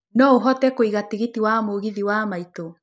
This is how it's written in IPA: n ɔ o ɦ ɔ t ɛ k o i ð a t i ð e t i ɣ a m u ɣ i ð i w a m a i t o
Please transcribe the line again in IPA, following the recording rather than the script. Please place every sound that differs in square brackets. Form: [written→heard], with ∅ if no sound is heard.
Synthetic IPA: n ɔ o ɦ ɔ t ɛ k o i [ð→ɣ] a t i [ð→ɣ] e t i [ɣ→w] a m [u→o] ɣ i ð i w a m a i t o

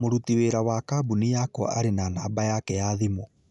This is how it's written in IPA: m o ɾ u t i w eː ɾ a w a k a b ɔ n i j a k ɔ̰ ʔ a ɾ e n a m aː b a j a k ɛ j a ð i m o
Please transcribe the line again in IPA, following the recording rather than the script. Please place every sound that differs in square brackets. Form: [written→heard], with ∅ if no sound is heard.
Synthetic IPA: m o ɾ u t i w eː ɾ a w a k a b [ɔ→u] n i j a k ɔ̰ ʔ a ɾ e n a [m→n] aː b a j a k ɛ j a ð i m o

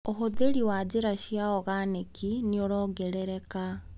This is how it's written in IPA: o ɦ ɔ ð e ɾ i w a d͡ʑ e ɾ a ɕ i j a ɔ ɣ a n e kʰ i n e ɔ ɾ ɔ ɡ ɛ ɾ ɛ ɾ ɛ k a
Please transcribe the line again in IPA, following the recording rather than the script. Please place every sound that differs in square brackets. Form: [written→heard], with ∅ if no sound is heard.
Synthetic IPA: o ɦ [ɔ→o] ð e ɾ i w a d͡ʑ e ɾ a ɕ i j a ɔ ɣ a n e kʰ i n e [ɔ→o] ɾ ɔ ɡ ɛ ɾ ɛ ɾ ɛ k a

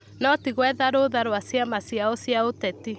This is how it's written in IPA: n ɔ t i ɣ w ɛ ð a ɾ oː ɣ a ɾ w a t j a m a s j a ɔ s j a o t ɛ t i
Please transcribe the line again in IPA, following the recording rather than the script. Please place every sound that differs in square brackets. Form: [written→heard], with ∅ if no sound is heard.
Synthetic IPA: n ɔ t i ɣ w ɛ ð a ɾ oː [ɣ→ð] a ɾ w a [t→s] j a m a s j a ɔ s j a o t ɛ t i

